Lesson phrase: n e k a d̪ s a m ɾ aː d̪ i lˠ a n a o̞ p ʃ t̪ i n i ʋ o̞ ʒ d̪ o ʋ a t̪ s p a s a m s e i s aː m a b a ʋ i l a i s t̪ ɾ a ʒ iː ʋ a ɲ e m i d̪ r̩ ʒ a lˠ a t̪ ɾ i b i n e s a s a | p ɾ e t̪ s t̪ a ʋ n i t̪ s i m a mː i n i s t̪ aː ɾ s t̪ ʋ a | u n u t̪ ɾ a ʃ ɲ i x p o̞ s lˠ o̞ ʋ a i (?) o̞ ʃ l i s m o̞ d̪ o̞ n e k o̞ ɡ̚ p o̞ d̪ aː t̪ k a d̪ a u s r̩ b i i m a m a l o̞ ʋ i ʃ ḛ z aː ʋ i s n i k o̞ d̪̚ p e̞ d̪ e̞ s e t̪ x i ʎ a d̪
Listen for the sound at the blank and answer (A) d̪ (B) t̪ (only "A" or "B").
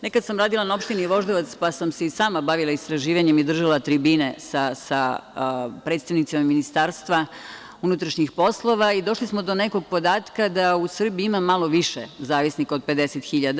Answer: A